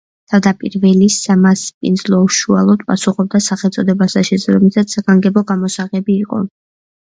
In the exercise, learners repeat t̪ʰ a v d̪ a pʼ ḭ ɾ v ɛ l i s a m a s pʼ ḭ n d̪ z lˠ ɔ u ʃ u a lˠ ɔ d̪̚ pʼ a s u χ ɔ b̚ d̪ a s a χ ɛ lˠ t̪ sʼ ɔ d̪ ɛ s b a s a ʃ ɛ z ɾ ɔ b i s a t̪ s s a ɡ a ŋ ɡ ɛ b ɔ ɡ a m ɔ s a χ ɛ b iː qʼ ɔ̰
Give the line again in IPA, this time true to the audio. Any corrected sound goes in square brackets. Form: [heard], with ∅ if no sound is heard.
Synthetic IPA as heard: t̪ʰ a v d̪ a pʼ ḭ ɾ v ɛ l i s a m a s pʼ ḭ n d̪ z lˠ ɔ u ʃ u a lˠ ɔ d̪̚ pʼ a s u χ ɔ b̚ d̪ a s a χ ɛ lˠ t̪ sʼ ɔ d̪ ɛ [∅] b a s a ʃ ɛ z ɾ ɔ [m] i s a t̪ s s a ɡ a ŋ ɡ ɛ b ɔ ɡ a m ɔ s a [ʁ] ɛ b iː qʼ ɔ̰